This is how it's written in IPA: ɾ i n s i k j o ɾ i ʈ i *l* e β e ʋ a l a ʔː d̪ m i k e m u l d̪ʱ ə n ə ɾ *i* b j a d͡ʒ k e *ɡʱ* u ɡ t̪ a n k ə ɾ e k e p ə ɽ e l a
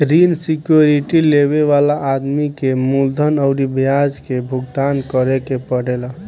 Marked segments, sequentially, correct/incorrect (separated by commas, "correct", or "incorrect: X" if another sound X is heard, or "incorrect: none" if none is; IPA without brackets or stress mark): correct, correct, incorrect: bʱ